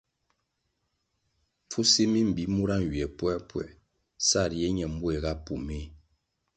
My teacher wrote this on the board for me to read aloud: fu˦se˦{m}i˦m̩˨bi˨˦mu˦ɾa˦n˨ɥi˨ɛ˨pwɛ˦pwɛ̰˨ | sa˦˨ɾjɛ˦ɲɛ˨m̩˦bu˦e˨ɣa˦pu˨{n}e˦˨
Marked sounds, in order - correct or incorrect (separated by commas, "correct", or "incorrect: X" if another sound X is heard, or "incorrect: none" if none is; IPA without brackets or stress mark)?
correct, incorrect: m